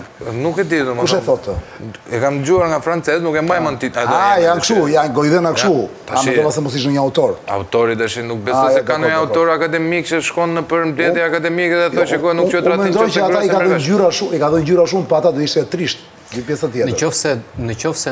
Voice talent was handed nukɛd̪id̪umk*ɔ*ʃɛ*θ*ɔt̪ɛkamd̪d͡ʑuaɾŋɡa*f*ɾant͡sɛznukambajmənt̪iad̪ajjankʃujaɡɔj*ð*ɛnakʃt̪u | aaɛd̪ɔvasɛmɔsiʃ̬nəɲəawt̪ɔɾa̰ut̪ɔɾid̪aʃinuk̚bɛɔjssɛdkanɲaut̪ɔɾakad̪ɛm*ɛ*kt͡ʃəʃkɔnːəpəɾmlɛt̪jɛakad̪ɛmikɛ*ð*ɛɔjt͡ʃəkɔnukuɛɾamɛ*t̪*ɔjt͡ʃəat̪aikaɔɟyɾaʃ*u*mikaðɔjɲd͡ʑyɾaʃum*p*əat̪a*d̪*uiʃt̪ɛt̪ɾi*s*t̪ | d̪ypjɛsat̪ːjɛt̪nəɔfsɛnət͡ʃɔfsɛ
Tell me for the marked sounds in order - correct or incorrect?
incorrect: u, correct, correct, correct, incorrect: i, correct, incorrect: d̪, correct, correct, correct, incorrect: ʃ

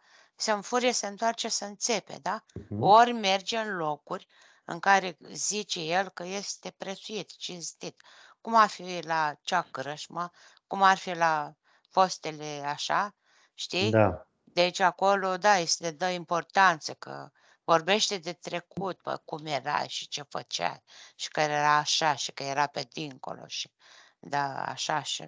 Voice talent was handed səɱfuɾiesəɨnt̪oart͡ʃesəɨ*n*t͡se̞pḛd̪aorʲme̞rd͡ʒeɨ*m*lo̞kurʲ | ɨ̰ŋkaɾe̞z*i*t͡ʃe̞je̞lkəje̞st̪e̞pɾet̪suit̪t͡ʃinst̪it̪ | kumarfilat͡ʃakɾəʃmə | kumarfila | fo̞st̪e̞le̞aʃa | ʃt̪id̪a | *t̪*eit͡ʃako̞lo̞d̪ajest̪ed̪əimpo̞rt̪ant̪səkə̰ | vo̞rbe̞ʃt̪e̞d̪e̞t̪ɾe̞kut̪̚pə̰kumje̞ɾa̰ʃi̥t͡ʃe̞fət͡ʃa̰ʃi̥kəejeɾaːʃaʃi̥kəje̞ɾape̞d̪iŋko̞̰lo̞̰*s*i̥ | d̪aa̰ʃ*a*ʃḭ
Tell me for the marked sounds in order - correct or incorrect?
correct, incorrect: n, correct, incorrect: d̪, incorrect: ʃ, correct

